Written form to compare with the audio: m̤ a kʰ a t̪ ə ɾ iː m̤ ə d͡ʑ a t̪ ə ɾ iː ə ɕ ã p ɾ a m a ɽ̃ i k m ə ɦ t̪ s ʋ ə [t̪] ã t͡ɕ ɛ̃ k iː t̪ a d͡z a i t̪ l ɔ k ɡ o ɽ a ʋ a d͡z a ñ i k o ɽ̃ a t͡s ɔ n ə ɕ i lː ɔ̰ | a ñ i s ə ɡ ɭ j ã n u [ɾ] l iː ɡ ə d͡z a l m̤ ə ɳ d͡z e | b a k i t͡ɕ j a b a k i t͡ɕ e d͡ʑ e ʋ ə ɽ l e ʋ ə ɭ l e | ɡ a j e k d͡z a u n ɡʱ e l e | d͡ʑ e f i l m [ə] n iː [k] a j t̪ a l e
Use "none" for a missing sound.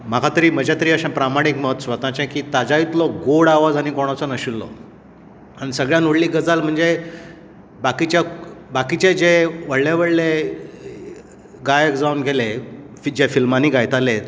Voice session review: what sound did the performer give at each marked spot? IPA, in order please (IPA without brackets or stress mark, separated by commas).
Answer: t̪, ɽ, a, ɡ